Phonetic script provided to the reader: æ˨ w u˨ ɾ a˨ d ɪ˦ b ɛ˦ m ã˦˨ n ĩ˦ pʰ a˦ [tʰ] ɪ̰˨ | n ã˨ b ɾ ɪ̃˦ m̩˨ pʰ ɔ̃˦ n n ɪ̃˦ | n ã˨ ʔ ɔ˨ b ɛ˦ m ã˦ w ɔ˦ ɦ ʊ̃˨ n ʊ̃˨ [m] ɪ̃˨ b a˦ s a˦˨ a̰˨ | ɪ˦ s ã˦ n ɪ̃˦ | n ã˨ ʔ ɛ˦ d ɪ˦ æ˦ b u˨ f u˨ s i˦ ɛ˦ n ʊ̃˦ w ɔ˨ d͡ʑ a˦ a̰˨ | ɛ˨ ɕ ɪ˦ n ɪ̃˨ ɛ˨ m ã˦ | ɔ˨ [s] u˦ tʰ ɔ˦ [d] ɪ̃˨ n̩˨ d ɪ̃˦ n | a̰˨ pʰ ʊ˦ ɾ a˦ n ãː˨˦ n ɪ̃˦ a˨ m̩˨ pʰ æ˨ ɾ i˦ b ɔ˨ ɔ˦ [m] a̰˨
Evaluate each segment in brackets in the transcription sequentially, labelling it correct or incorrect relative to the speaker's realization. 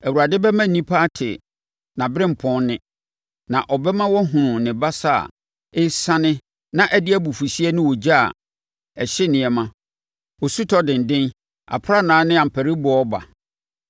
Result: correct, incorrect: n, correct, correct, incorrect: b

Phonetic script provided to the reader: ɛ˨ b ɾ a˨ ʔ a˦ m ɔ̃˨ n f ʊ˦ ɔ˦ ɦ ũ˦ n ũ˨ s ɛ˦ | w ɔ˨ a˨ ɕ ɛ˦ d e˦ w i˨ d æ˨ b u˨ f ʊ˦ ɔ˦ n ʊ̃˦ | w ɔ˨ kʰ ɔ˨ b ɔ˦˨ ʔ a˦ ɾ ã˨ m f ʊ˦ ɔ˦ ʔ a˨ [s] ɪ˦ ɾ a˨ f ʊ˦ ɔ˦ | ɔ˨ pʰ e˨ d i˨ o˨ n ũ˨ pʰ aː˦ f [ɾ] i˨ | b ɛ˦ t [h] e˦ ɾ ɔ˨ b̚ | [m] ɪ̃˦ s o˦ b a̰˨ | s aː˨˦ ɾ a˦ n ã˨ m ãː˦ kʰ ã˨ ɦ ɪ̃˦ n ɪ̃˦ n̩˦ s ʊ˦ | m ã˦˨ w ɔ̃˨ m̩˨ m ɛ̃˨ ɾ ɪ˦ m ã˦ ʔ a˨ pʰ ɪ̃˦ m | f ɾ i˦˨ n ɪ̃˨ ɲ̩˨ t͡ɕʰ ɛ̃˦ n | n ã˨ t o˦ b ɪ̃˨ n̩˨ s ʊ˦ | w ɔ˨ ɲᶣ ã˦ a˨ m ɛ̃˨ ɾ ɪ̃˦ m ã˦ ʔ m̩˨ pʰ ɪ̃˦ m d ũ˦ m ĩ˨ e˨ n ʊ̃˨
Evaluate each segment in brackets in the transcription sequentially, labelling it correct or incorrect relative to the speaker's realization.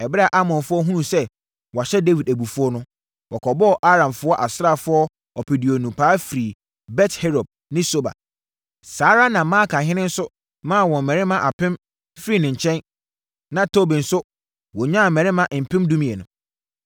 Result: correct, correct, correct, incorrect: n

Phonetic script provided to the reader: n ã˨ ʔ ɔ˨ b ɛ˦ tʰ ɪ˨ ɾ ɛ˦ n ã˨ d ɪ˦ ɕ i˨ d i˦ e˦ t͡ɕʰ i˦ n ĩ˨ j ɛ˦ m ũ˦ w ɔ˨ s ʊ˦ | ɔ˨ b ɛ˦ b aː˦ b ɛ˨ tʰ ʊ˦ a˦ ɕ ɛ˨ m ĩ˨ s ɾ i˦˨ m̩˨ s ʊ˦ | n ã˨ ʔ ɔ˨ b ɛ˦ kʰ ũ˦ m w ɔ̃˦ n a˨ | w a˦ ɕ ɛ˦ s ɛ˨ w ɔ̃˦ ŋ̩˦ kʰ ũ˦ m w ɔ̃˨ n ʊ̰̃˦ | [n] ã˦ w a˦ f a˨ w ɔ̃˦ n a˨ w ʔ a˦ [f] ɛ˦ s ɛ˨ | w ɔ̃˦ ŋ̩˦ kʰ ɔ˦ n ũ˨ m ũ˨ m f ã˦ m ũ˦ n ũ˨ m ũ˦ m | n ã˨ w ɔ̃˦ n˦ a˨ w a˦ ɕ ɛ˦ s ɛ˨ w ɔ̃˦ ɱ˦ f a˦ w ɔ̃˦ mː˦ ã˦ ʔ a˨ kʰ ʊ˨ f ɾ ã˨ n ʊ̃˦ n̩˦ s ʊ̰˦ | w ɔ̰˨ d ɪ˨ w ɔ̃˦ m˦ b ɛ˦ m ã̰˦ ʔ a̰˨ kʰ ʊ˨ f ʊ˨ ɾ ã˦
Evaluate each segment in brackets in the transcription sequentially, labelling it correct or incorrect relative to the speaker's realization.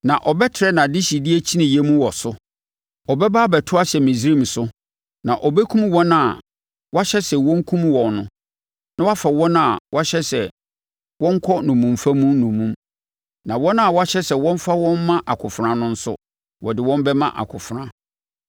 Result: correct, incorrect: ɕ

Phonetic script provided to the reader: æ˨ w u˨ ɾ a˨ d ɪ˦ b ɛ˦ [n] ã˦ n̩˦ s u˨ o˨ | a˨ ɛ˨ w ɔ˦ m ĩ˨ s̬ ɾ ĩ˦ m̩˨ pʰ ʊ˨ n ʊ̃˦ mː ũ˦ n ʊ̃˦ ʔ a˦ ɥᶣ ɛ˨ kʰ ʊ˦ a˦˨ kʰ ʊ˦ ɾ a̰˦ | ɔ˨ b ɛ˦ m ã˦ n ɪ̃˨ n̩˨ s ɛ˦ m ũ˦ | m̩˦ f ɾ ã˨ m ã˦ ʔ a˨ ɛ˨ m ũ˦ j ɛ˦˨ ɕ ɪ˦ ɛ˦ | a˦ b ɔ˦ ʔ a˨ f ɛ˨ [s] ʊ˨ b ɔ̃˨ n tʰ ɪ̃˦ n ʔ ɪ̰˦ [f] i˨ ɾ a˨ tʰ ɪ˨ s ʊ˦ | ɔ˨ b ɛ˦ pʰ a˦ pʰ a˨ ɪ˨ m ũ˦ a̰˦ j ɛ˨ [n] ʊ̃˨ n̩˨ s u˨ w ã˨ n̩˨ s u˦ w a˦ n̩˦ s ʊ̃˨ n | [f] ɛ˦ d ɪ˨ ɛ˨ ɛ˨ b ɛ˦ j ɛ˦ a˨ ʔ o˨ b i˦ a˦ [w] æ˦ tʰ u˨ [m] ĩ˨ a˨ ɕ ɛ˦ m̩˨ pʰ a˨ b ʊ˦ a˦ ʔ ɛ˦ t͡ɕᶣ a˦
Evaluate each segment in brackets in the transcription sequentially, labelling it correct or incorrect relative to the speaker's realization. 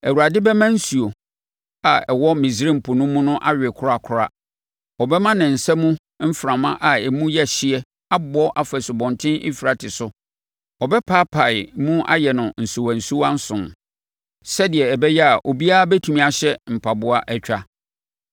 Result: incorrect: m, correct, correct, correct, incorrect: s, incorrect: b, correct

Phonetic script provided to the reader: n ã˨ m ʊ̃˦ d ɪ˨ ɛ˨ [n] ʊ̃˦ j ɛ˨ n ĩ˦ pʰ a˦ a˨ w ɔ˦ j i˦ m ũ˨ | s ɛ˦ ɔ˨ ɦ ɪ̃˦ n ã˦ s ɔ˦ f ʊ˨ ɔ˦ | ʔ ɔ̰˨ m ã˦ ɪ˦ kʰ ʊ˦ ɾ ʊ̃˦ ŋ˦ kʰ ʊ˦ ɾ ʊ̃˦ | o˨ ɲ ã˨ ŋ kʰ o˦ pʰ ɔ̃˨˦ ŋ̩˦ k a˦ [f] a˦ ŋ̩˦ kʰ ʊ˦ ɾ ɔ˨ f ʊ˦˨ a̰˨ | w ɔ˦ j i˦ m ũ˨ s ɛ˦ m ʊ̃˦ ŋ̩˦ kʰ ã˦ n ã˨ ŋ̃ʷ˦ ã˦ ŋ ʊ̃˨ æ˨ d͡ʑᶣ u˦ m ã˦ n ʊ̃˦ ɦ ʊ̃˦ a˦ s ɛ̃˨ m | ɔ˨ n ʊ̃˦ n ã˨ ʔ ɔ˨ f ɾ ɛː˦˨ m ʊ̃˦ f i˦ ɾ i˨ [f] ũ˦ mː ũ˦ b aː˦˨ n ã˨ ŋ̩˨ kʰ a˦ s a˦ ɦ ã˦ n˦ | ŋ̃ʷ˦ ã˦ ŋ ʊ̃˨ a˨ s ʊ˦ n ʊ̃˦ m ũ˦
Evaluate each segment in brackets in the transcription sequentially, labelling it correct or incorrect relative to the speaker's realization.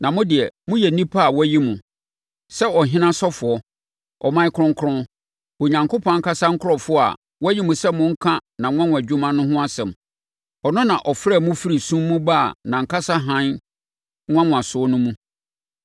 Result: incorrect: m, incorrect: s, incorrect: s

